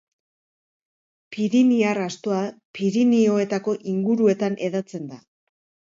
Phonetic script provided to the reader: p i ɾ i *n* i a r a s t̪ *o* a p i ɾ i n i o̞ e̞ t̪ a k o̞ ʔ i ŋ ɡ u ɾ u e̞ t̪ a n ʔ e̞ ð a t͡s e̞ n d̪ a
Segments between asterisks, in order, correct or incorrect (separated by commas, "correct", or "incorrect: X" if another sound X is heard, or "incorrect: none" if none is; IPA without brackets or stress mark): correct, correct